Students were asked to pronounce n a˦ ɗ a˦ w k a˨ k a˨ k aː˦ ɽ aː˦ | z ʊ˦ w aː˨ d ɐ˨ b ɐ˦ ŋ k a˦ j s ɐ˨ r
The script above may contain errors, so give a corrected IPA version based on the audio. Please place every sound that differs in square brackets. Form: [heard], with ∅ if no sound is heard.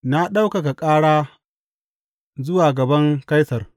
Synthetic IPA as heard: n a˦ ɗ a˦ w k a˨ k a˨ [kʼ] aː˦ ɽ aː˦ | z ʊ˦ w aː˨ [ɡ] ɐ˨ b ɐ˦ ŋ k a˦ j s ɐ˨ r